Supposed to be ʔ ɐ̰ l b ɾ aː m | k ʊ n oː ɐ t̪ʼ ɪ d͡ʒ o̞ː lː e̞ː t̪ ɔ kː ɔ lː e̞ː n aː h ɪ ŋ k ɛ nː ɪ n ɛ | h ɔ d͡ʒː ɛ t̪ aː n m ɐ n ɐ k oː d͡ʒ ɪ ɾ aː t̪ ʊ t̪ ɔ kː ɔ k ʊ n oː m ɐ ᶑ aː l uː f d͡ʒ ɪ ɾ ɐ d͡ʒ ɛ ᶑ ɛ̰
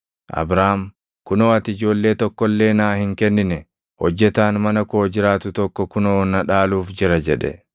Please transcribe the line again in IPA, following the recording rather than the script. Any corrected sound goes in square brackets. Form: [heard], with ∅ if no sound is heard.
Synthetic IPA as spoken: ʔ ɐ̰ [∅] b ɾ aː m | k ʊ n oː ɐ [t̪] ɪ d͡ʒ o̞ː lː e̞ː t̪ ɔ kː ɔ lː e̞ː n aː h ɪ ŋ k ɛ nː ɪ n ɛ | h ɔ d͡ʒː ɛ t̪ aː n m ɐ n ɐ k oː d͡ʒ ɪ ɾ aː t̪ ʊ t̪ ɔ kː ɔ k ʊ n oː [n] ɐ ᶑ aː l uː f d͡ʒ ɪ ɾ ɐ d͡ʒ ɛ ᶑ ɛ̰